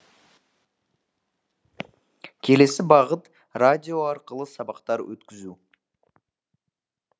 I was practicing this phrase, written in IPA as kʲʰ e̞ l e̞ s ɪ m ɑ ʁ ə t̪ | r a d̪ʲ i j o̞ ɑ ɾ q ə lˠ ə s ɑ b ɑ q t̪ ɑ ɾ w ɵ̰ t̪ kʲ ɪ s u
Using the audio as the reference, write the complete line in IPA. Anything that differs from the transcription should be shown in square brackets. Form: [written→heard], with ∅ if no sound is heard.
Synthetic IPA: kʲʰ e̞ l e̞ s ɪ [m→b] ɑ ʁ ə t̪ | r a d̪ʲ i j o̞ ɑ ɾ q ə lˠ ə s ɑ b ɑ q t̪ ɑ ɾ w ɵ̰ t̪ kʲ ɪ [s→z] u